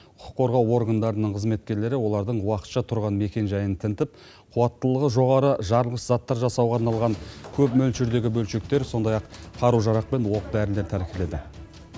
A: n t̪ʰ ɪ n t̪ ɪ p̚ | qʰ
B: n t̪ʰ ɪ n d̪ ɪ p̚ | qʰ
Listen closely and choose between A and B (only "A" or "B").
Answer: A